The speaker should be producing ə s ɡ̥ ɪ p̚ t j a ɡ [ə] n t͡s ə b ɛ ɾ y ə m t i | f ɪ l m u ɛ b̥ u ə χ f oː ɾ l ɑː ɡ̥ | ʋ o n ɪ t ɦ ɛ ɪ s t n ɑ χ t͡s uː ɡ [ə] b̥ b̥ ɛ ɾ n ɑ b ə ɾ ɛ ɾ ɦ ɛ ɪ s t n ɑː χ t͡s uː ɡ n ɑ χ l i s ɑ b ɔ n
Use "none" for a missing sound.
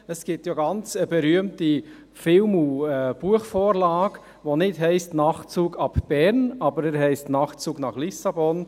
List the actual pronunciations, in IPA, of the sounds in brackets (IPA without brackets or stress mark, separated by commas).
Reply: ɑ, ɑ